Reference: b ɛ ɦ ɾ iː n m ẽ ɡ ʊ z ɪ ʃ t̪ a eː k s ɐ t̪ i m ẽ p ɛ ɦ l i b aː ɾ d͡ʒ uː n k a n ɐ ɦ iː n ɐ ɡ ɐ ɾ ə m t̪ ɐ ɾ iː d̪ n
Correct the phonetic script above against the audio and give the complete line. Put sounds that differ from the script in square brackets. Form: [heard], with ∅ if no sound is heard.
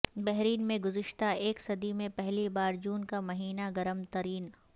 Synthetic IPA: b ɛ ɦ ɾ iː n m ẽ ɡ ʊ z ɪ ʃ t̪ a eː k s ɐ [d̪] i m ẽ p ɛ ɦ l i b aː ɾ d͡ʒ uː n k a [m] ɐ ɦ iː n [a] ɡ ɐ ɾ ə m t̪ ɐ ɾ iː [∅] n